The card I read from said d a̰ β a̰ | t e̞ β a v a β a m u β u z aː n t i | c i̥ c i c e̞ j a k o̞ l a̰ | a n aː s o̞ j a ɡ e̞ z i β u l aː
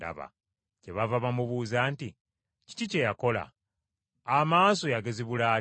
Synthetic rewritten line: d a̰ β a̰ | c e̞ β a v a β a m u β u z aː n t i | c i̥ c i c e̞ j a k o̞ l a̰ | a m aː s o̞ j a ɡ e̞ z i β u l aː